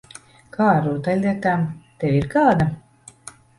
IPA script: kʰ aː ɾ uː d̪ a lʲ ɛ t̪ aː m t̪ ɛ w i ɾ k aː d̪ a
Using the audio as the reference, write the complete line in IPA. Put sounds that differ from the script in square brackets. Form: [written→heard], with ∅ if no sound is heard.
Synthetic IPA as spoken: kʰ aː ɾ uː [d̪→t̪] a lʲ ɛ t̪ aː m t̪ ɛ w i ɾ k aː d̪ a